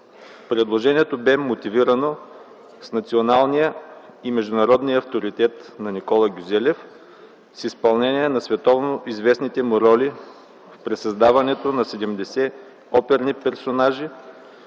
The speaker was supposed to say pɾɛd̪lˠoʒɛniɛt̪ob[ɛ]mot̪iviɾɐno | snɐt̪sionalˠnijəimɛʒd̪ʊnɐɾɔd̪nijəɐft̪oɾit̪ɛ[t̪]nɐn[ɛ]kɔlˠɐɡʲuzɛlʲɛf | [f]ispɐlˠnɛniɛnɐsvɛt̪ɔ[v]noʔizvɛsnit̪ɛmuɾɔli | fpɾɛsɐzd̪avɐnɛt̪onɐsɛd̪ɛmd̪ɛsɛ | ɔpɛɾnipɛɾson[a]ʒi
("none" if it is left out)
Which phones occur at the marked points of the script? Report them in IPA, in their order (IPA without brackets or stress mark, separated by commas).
ɛ, t̪, i, s, v, a